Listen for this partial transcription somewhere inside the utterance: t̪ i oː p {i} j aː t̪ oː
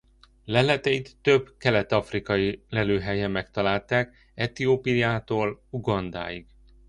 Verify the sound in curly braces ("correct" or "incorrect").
correct